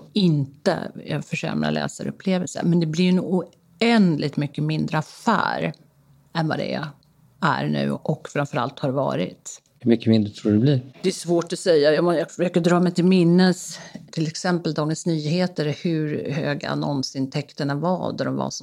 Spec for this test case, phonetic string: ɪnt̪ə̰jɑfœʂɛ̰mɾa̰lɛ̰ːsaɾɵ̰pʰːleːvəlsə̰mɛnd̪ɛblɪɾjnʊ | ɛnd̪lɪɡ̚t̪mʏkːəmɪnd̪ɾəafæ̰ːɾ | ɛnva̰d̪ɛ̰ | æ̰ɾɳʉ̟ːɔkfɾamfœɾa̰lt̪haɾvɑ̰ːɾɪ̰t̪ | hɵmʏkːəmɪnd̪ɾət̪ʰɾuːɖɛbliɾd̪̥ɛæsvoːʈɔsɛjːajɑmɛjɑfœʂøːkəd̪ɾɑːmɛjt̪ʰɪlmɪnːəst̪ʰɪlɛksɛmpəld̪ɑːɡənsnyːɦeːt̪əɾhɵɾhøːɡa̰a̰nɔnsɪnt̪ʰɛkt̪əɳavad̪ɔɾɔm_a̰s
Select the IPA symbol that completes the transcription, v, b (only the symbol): v